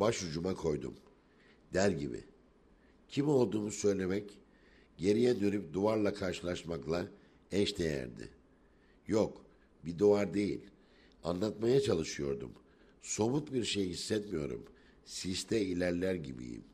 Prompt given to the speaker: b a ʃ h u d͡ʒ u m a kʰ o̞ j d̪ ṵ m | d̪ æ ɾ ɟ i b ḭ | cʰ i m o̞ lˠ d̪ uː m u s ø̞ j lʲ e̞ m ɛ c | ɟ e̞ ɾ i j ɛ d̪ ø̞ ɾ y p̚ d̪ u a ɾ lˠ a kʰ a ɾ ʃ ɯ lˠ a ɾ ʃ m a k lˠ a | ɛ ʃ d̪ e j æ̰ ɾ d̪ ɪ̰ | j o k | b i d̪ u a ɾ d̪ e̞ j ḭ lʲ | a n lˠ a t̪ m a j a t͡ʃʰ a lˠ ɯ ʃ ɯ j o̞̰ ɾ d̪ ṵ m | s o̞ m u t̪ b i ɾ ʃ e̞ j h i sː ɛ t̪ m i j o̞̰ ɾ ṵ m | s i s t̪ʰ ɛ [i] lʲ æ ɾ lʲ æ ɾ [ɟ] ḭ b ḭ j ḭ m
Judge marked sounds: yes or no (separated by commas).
yes, yes